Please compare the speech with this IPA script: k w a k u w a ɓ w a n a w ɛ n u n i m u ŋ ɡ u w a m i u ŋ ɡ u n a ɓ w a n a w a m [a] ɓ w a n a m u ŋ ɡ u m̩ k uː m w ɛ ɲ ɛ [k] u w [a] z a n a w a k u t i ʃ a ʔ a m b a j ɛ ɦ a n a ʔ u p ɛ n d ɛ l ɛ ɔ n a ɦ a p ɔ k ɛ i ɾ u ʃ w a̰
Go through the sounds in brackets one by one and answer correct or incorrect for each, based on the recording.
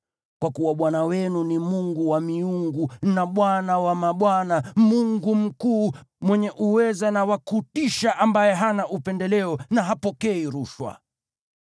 correct, incorrect, incorrect

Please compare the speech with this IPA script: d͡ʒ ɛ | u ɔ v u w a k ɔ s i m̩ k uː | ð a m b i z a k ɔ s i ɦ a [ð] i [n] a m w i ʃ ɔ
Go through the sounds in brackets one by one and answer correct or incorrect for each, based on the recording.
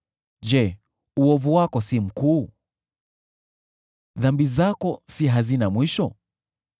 incorrect, correct

